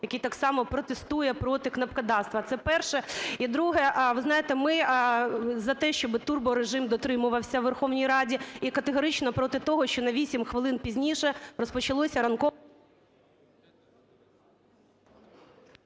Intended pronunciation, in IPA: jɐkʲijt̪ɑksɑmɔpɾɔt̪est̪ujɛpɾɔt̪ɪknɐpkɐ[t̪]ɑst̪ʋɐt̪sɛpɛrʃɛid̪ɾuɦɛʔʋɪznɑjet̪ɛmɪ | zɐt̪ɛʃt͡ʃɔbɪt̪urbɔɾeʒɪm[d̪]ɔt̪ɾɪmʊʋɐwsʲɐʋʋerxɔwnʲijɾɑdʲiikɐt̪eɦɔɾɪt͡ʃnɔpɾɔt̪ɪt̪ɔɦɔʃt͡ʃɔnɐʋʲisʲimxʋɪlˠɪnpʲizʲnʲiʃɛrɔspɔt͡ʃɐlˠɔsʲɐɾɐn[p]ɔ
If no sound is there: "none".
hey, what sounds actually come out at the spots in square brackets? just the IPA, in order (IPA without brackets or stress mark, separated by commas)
d̪, d̪, k